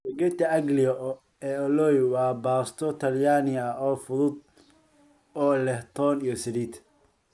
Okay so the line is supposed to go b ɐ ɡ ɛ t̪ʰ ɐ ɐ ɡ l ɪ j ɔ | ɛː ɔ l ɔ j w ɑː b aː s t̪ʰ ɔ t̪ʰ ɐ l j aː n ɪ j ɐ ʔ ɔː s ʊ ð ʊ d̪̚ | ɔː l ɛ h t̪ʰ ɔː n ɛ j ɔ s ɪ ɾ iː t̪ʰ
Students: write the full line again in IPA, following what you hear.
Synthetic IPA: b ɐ ɡ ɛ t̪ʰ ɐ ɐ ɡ l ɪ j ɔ | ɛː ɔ l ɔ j w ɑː b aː s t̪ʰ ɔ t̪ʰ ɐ l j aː n ɪ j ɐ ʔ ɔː f ʊ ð ʊ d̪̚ | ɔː l ɛ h t̪ʰ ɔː n i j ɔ s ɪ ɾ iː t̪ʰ